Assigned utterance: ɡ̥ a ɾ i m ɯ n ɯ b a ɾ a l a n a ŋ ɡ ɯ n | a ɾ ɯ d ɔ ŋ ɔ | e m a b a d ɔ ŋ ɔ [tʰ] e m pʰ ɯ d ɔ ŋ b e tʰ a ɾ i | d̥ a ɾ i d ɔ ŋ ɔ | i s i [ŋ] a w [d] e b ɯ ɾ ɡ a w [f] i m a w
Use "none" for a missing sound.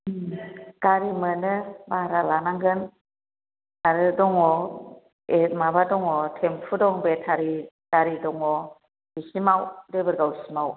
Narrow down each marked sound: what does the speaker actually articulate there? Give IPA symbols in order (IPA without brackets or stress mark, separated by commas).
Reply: tʰ, m, d, s